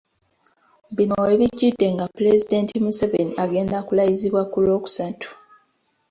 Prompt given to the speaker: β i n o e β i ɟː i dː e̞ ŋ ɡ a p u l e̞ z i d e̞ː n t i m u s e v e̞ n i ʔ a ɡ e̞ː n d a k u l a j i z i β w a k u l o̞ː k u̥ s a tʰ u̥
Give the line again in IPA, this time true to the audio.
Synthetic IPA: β i n o e β i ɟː i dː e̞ ŋ ɡ a p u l e̞ z i d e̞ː n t i m u s e v e̞ n i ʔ a ɡ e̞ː n d a k u l a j i z i β w a k u l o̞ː k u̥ s a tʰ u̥